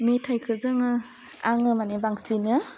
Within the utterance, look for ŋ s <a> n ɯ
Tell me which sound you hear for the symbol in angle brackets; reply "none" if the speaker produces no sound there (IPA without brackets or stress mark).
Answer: i